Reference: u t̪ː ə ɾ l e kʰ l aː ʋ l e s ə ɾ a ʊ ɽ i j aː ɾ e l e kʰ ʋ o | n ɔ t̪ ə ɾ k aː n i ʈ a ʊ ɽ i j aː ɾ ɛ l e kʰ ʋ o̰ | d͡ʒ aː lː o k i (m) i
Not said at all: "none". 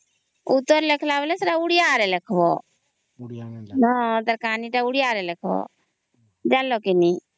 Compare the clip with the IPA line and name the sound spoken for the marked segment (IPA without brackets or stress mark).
n